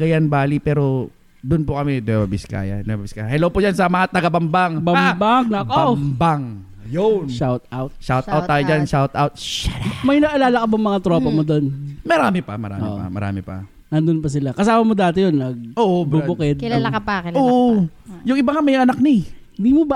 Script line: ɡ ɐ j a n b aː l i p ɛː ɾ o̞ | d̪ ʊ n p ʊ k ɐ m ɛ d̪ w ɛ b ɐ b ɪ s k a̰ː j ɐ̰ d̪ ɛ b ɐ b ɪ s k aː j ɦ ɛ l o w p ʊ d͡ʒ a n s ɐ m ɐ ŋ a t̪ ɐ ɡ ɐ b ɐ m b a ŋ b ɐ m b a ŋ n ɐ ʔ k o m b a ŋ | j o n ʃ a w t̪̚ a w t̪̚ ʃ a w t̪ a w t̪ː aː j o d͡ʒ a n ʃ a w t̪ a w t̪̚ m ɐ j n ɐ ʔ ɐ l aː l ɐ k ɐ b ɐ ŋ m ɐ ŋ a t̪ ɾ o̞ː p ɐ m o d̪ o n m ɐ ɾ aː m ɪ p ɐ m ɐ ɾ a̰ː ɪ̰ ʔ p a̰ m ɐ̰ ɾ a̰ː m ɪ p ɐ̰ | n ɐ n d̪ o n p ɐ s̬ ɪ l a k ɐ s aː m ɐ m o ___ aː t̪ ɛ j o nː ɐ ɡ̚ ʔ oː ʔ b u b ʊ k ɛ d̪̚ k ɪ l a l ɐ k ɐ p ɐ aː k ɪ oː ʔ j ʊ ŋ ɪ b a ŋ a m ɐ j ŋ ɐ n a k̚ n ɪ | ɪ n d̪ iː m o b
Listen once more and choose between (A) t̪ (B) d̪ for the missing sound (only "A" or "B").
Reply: B